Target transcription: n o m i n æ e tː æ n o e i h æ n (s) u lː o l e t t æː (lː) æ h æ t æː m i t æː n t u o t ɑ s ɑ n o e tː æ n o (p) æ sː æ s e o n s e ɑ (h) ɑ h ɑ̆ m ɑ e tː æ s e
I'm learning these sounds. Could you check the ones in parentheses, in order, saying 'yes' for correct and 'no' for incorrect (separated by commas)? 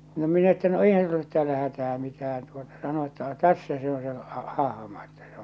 yes, no, no, yes